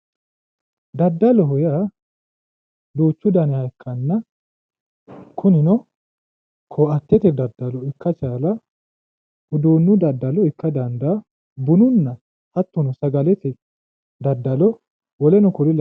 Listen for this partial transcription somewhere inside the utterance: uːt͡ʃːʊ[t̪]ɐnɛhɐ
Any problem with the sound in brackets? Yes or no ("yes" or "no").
yes